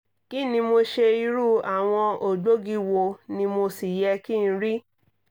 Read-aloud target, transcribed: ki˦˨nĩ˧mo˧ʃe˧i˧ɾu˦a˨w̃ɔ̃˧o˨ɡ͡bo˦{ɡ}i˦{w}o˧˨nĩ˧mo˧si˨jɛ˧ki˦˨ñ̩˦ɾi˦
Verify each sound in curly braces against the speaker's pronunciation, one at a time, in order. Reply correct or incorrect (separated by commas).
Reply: correct, correct